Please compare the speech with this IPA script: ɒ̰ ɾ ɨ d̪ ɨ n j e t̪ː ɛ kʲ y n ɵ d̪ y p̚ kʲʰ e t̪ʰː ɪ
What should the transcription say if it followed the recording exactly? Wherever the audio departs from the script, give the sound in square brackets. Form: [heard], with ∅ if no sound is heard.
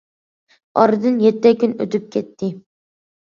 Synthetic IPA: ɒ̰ ɾ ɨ d̪ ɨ n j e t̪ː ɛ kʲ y n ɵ [t̪] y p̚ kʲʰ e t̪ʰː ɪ